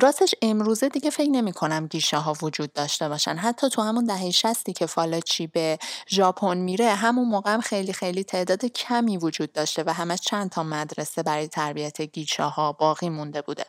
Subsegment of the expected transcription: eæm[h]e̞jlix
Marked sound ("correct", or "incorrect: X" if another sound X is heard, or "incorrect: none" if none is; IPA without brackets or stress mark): incorrect: x